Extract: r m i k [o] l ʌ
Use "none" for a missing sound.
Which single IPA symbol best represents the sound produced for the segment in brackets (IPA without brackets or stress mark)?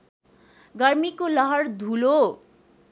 o